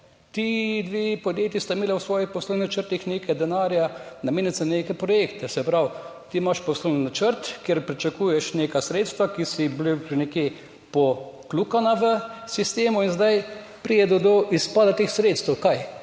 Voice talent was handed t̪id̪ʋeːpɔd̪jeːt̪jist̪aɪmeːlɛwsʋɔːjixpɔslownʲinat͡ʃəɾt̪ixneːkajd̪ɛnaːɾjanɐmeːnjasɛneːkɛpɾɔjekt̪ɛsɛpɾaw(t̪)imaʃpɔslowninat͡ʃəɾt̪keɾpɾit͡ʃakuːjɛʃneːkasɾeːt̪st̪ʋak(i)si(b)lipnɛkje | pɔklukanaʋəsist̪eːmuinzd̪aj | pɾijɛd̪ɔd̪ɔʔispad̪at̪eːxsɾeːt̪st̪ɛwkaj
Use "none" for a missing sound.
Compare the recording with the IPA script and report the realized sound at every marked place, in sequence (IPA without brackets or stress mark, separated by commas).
t̪, i, b